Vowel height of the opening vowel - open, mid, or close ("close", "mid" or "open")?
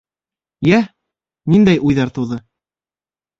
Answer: open